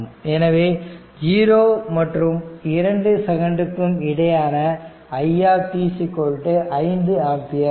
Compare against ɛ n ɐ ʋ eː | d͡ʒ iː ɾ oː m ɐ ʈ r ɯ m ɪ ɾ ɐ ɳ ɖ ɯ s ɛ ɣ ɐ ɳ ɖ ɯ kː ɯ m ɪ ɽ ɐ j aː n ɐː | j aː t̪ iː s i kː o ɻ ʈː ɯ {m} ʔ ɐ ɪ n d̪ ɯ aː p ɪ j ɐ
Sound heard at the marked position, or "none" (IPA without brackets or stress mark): none